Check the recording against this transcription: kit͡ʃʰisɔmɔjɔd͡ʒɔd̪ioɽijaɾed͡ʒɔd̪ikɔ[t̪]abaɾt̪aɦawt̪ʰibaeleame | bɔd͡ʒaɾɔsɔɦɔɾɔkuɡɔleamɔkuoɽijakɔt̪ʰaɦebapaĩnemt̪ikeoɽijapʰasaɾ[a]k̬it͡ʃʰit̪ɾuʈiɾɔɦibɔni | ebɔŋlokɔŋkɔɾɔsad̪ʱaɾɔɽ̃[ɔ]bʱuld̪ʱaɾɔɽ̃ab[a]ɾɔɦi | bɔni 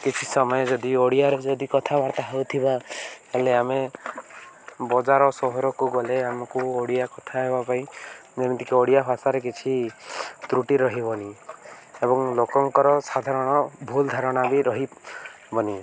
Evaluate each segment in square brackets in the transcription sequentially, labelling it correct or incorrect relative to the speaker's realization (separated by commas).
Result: incorrect, incorrect, correct, incorrect